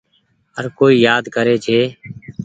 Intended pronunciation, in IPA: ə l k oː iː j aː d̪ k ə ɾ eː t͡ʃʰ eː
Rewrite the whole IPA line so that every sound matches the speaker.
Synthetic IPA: ə ɾ k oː iː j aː d̪ k ə ɾ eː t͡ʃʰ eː